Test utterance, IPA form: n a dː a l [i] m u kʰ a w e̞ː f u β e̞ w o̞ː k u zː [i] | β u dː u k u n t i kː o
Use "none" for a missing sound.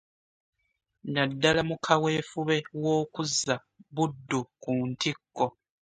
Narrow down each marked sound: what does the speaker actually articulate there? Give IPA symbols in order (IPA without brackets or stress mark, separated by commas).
a, a